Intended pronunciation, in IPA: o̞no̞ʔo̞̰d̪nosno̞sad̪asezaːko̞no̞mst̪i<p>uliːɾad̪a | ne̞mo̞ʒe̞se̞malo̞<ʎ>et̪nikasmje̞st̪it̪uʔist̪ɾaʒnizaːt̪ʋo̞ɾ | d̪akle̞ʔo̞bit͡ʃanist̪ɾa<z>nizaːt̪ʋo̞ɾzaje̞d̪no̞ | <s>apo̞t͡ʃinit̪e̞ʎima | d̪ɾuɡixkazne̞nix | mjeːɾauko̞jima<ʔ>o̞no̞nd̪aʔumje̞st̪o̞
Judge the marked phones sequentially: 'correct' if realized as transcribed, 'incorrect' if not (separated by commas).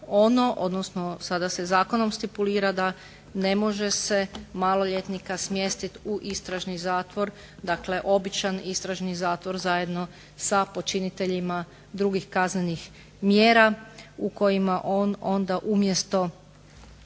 correct, correct, incorrect, correct, correct